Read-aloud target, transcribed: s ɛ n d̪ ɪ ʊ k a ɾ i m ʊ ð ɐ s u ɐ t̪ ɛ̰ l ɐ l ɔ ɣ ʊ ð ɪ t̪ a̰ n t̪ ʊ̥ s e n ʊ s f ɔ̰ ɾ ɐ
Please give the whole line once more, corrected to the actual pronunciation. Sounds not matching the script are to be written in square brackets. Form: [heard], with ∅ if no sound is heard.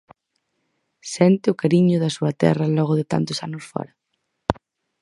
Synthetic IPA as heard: s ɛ n [t̪] ɪ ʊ k a ɾ i [ɲ] ʊ ð ɐ s u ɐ t̪ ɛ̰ [r] ɐ l ɔ ɣ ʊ ð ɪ t̪ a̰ n t̪ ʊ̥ s [a] n ʊ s f ɔ̰ ɾ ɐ

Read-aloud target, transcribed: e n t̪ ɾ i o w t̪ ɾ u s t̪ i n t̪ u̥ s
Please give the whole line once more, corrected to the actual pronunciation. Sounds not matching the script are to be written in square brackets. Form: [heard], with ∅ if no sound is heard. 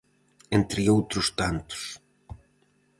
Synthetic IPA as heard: e n t̪ ɾ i o w t̪ ɾ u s t̪ [a] n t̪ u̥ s

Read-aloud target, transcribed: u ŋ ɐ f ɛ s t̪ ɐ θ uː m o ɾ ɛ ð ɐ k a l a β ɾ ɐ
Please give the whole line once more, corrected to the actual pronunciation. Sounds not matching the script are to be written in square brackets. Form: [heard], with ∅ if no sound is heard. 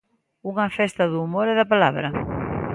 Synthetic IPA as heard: u ŋ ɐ f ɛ s t̪ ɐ [ð] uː m o ɾ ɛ ð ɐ [p] a l a β ɾ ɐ

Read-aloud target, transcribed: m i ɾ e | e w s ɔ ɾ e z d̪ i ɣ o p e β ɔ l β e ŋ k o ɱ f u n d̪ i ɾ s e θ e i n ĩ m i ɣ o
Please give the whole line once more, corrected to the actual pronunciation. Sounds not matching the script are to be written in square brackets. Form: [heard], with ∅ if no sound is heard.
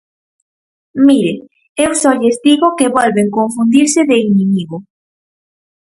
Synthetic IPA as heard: m i ɾ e | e w s ɔ [ʎ] e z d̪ i ɣ o [k] e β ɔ l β e ŋ k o ɱ f u n d̪ i ɾ s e [ð] e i n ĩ m i ɣ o

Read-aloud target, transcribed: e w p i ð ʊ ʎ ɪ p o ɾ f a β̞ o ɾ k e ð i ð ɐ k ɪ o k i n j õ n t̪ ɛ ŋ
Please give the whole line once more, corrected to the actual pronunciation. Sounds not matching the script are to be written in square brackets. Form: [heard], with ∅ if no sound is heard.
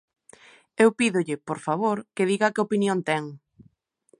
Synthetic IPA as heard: e w p i ð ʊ ʎ ɪ p o ɾ f a β̞ o ɾ k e ð i [ɣ] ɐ k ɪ o [p] i n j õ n t̪ ɛ ŋ

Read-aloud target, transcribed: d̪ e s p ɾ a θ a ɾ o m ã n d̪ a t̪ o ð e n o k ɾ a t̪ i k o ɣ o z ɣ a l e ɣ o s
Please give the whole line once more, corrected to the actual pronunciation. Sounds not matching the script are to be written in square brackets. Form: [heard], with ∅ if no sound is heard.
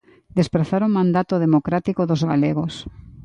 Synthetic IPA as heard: d̪ e s p ɾ a θ a ɾ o m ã n d̪ a t̪ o ð e [m] o k ɾ a t̪ i k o [ð] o z ɣ a l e ɣ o s

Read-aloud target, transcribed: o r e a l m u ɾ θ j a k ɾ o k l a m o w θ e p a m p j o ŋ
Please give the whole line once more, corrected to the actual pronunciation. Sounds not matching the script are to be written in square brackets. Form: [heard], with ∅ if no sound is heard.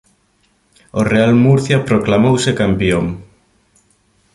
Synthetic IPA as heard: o r e a l m u ɾ θ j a [p] ɾ o k l a m o w [s] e [k] a m p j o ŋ

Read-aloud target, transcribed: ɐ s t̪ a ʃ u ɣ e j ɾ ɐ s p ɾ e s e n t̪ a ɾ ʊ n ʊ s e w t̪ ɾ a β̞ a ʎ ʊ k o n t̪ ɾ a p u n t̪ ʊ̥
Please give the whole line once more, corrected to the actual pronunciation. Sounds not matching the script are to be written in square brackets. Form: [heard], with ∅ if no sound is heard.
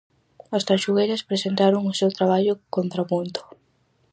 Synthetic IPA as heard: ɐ s t̪ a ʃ u ɣ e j ɾ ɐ s p ɾ e s e n t̪ a ɾ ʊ [ŋ] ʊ s e w t̪ ɾ a β̞ a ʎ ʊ k o n t̪ ɾ a p u n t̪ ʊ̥

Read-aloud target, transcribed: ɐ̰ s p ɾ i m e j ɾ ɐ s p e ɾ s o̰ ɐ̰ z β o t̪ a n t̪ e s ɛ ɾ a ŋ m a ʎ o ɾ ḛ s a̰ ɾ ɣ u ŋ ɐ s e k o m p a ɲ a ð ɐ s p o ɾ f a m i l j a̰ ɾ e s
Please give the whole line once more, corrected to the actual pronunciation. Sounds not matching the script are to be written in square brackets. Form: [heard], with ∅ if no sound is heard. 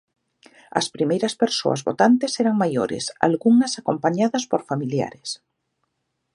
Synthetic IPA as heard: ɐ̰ s p ɾ i m e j ɾ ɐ s p e ɾ s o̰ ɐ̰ z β o t̪ a n t̪ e s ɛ ɾ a ŋ m a [j] o ɾ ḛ s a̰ [l] ɣ u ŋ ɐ s [a] k o m p a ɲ a ð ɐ s p o ɾ f a m i l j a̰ ɾ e s

